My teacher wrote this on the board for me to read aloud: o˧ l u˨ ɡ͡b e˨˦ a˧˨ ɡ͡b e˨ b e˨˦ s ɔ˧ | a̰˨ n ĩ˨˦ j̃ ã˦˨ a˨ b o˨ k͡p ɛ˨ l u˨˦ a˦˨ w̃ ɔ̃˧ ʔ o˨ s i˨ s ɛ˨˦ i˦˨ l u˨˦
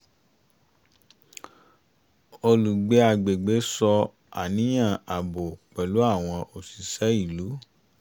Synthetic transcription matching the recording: o˧ l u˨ ɡ͡b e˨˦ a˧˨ ɡ͡b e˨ ɡ͡b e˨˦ s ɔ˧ | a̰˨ n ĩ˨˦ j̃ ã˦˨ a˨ b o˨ k͡p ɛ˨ l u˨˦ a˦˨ w̃ ɔ̃˧ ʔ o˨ s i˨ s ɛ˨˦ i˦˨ l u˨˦